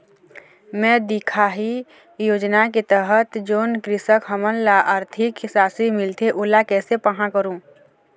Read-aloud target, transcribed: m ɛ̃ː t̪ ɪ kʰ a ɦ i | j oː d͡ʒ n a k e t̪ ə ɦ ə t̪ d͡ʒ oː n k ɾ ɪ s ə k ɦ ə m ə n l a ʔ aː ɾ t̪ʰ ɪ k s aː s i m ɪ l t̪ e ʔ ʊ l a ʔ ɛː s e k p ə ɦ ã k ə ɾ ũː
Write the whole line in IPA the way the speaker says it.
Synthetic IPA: m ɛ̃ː d̪ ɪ kʰ a ɦ i | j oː d͡ʒ n a k e t̪ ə ɦ ə t̪ d͡ʒ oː n k ɾ ɪ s ə k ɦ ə m ə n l a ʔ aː ɾ t̪ʰ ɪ k s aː s i m ɪ l t̪ e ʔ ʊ l a k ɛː s e p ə ɦ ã k ə ɾ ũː